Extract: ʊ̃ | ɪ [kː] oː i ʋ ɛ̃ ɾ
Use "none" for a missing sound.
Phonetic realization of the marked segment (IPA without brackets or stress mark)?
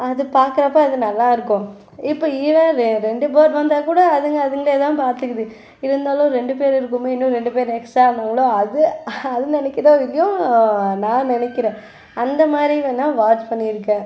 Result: pː